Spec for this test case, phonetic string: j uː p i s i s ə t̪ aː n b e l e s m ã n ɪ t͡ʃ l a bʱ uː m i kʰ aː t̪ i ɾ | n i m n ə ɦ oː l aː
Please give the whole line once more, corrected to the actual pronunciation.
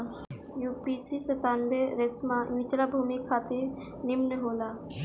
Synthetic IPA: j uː p i s i s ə t̪ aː n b e ɾ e s m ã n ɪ t͡ʃ l a bʱ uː m i kʰ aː t̪ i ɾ | n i m n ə ɦ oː l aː

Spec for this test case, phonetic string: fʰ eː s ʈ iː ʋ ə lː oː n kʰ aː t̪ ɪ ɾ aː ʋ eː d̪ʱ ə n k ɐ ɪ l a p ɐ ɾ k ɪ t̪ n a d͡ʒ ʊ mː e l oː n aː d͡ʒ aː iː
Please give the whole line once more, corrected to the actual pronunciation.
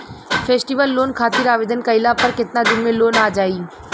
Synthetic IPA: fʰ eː s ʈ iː ʋ ə lː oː n kʰ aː t̪ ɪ ɾ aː ʋ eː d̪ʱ ə n k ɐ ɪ l a p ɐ ɾ k ɪ t̪ n a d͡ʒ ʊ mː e l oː n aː d͡ʒ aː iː

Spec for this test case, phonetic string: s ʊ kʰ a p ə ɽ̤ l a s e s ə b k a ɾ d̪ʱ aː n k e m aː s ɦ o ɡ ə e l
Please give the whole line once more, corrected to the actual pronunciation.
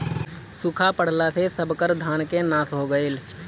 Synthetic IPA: s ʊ kʰ a p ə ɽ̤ l a s e s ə b k ə ɾ d̪ʱ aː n k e n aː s ɦ o ɡ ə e l

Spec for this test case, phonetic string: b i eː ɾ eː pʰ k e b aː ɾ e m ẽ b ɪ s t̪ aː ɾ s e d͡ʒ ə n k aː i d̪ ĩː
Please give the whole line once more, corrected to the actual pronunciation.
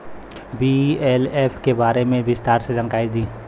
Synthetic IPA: b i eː l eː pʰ k e b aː ɾ e m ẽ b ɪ s t̪ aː ɾ s e d͡ʒ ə n k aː i d̪ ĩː

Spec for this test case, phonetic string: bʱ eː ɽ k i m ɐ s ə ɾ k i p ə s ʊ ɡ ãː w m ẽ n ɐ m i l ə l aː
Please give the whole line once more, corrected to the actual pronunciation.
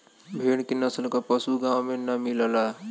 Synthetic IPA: bʱ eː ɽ k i n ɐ s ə l k a p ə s u ɡ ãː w m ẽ n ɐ m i l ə l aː

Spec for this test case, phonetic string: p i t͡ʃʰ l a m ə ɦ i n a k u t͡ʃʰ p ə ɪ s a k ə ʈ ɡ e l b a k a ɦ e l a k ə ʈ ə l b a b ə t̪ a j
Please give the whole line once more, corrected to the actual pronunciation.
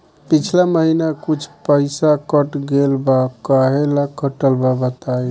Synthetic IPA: p i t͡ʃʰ l a m ə ɦ i n a k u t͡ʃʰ p ə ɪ s a k ə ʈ ɡ e l b a k a ɦ e l a k ə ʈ ə l b a b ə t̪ a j

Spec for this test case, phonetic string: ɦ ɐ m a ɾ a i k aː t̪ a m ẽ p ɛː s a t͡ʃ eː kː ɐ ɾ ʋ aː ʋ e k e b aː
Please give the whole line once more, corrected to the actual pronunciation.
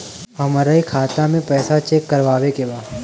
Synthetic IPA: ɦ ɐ m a ɾ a i kʰ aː t̪ a m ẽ p ɛː s a t͡ʃ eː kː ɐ ɾ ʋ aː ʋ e k e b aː

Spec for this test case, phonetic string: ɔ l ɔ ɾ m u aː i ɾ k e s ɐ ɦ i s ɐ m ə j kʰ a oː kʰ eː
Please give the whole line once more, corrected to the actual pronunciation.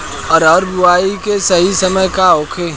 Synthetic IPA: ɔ ɾ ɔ ɾ b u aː i k e s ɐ ɦ i s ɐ m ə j k a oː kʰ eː

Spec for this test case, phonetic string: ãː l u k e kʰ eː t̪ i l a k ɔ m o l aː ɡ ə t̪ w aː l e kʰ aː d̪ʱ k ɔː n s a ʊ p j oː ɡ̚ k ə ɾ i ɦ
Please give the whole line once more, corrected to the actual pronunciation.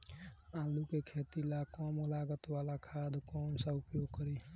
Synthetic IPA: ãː l u k e kʰ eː t̪ i l a k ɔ m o l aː ɡ ə t̪ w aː l a kʰ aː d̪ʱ k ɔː n s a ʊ p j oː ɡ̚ k ə ɾ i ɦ

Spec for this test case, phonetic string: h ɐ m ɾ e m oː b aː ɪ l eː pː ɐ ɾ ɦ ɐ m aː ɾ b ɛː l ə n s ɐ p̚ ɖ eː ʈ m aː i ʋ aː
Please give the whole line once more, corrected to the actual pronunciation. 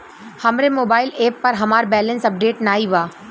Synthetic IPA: h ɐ m ɾ e m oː b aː ɪ l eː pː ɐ ɾ ɦ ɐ m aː ɾ b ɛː l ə n s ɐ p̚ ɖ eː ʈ n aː i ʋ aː

